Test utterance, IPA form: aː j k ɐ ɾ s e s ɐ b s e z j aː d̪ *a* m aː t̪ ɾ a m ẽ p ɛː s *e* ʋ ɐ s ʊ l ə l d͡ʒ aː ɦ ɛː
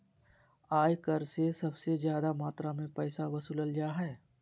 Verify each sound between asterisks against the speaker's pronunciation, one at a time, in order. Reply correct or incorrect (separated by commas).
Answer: correct, incorrect